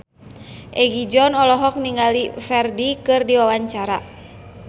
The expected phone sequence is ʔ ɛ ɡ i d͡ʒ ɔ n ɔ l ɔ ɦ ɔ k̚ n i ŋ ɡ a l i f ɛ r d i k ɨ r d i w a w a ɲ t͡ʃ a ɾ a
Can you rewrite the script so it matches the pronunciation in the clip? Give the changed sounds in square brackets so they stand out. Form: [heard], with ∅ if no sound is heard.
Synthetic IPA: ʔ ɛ ɡ i d͡ʒ ɔ n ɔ l ɔ ɦ ɔ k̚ n i ŋ ɡ a l i f ɛ r d i k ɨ r d i w a w a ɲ t͡ʃ a ɾ a